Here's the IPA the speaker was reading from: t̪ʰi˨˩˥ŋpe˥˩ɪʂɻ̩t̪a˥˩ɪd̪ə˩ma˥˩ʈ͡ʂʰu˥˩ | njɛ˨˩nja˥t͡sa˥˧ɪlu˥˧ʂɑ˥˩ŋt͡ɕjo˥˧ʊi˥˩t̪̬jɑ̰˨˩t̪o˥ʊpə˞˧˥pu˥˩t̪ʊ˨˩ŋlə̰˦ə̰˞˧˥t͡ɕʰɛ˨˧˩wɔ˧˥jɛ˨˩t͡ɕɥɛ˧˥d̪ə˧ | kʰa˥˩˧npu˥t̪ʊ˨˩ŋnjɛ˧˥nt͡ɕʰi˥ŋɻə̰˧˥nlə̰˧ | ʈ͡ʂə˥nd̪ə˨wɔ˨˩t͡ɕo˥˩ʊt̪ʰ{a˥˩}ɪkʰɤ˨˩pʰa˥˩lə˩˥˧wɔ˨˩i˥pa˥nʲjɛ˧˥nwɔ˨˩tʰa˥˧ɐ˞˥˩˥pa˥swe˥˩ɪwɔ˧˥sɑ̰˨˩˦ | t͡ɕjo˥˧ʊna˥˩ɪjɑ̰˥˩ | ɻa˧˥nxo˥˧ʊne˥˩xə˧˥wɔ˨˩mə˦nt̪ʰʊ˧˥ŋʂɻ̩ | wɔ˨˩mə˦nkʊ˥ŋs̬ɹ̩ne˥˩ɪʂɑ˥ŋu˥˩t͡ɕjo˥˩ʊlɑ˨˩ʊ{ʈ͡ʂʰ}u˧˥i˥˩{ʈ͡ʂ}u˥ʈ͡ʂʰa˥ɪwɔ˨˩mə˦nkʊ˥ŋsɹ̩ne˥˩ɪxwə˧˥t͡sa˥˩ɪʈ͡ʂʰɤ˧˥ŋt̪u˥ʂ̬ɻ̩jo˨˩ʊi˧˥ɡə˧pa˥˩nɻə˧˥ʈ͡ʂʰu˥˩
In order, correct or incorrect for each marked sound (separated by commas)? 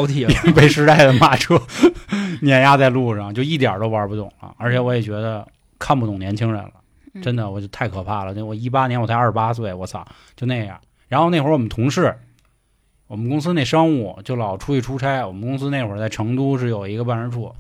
correct, correct, incorrect